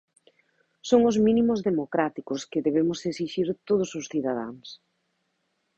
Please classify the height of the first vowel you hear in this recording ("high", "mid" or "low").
mid